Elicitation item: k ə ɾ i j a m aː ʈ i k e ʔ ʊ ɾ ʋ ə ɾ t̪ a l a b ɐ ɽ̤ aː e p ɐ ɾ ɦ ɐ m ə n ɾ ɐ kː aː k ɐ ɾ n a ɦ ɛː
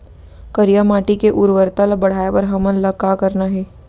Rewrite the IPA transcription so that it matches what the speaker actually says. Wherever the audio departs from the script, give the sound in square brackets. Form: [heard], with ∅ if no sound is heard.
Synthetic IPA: k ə ɾ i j a m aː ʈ i k e ʔ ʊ ɾ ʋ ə ɾ t̪ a l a b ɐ ɽ̤ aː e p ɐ ɾ ɦ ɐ m ə n [l] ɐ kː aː k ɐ ɾ n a ɦ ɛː